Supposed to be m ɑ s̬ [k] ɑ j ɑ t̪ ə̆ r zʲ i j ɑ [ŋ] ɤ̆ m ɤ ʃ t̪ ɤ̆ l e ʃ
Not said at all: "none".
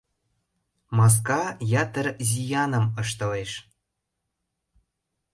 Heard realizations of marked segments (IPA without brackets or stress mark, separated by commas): k, n